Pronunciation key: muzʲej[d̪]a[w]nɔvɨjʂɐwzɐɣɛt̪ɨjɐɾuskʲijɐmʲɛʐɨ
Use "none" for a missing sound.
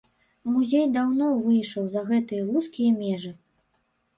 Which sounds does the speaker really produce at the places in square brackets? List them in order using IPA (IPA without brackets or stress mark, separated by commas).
d̪, w